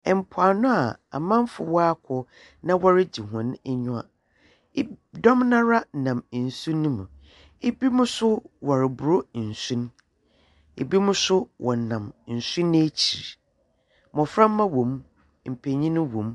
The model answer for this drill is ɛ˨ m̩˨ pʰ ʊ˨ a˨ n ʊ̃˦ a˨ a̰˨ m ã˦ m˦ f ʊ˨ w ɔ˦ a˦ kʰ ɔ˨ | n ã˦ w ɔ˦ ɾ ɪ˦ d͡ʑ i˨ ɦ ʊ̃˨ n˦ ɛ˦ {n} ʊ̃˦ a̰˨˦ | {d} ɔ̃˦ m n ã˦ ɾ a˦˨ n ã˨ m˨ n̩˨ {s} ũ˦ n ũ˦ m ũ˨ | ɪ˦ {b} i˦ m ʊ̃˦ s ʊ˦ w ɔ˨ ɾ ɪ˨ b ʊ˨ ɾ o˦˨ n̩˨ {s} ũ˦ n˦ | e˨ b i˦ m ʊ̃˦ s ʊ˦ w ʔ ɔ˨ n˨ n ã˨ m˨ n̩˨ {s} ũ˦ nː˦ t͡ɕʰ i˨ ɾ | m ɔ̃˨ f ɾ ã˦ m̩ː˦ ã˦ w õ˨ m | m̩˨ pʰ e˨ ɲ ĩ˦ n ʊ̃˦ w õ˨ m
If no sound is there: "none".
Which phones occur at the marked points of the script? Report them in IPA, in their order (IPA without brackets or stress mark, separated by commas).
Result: ɲ, d, s, b, s, s